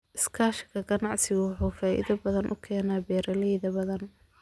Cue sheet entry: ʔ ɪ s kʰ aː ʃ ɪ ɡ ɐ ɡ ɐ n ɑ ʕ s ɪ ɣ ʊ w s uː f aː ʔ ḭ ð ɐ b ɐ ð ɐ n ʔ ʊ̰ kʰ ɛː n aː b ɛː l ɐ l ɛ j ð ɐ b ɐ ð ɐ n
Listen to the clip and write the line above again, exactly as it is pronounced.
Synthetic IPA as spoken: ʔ ɪ s kʰ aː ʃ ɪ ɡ ɐ ɡ ɐ n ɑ ʕ s ɪ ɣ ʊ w ħ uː f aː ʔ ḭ ð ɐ b ɐ ð ɐ n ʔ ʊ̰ kʰ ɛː n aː b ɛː ɾ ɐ l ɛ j ð ɐ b ɐ ð ɐ n